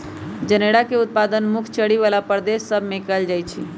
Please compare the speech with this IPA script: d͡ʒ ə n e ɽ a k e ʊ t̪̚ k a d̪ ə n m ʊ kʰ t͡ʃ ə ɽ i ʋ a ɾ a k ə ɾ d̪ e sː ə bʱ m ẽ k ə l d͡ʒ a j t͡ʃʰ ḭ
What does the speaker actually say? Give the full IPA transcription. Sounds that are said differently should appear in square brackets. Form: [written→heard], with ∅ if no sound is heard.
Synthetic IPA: d͡ʒ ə n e ɽ a k e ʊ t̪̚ [k→p] a d̪ ə n m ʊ kʰ t͡ʃ ə ɽ i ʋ a [ɾ→l] a [k→p] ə ɾ d̪ e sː ə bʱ m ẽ k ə l d͡ʒ a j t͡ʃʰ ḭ